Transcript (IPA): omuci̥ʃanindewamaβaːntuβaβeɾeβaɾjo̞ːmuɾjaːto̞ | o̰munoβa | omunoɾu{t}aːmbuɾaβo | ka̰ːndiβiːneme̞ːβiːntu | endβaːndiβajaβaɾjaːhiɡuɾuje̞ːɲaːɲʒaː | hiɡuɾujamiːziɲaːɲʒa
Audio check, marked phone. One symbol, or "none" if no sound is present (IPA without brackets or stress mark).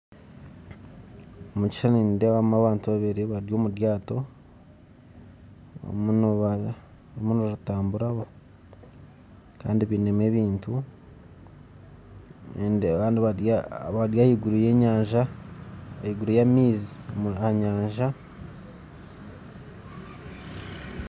t